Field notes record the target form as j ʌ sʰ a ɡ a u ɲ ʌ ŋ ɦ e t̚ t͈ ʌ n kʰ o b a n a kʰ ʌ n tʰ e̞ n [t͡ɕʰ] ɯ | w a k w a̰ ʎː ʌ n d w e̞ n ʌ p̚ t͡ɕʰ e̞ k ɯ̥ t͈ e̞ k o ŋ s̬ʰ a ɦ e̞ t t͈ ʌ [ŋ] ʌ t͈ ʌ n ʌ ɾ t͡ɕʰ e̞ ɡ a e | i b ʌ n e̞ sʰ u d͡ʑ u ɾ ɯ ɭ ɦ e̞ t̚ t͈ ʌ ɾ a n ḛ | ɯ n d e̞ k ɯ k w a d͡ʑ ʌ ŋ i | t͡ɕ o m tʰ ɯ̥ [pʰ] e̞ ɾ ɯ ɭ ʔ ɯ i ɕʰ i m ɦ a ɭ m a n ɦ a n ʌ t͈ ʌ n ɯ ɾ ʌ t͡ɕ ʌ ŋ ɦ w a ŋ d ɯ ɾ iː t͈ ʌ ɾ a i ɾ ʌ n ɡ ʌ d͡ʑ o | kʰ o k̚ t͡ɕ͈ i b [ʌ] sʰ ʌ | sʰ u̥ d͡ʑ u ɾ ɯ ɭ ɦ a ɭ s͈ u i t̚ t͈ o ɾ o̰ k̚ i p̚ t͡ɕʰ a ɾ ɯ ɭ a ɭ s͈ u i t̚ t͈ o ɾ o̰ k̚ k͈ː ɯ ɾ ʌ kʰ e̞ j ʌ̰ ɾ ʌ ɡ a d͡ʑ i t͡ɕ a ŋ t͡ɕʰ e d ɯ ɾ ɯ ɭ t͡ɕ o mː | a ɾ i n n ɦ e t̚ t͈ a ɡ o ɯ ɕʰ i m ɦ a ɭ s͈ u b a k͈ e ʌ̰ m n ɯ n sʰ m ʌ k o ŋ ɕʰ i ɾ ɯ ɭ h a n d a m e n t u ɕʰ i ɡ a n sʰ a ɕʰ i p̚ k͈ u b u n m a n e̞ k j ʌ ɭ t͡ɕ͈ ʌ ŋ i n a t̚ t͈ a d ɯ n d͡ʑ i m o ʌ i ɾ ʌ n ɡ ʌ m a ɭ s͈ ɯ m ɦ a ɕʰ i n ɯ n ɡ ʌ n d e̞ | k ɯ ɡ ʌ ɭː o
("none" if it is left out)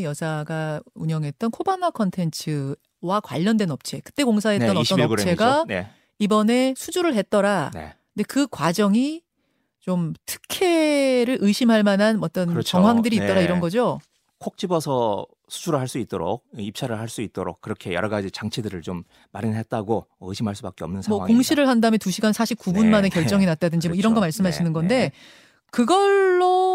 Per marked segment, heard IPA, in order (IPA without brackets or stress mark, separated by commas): t͡ɕʰ, n, kʰ, ʌ